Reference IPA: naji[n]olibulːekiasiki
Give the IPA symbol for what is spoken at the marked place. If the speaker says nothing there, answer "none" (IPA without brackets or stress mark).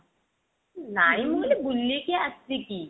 m